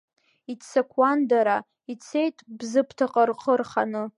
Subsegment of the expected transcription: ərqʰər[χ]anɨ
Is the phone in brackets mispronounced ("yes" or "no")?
no